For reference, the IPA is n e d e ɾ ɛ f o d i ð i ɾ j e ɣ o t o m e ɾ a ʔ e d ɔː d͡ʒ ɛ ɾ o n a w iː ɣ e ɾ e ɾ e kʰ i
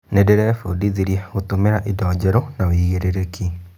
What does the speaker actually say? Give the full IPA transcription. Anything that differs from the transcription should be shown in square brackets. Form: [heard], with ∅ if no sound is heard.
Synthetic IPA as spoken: n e d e ɾ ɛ f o d i ð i ɾ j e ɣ o t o m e ɾ a ʔ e d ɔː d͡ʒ ɛ ɾ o n a w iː ɣ e ɾ e ɾ e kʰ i